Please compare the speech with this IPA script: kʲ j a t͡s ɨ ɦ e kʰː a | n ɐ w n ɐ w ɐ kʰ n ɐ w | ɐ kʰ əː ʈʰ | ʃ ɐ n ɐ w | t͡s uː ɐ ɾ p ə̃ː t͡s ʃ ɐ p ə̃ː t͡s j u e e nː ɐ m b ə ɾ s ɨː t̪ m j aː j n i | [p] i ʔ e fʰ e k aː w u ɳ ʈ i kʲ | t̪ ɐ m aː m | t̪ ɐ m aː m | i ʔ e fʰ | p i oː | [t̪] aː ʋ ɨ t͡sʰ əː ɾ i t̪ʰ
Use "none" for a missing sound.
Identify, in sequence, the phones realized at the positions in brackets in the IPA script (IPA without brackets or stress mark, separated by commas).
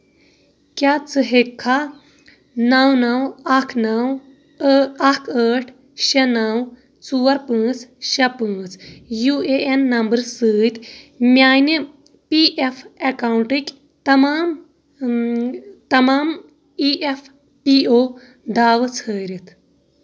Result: p, d̪